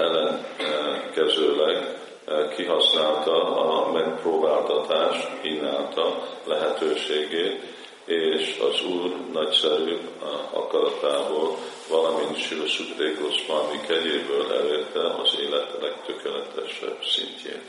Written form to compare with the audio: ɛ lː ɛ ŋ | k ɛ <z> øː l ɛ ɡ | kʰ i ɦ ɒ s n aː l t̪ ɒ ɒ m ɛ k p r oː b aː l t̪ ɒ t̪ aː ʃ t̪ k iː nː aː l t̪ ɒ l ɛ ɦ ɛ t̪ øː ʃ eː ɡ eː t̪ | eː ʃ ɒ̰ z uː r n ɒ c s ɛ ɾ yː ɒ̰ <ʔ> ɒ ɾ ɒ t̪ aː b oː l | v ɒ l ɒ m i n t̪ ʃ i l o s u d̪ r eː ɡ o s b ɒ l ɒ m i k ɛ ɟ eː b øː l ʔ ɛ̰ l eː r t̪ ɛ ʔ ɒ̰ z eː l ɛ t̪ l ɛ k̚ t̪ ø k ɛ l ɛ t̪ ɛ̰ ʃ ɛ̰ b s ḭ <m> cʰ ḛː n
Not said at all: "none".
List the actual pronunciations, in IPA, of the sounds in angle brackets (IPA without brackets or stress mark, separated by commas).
z, k, ɲ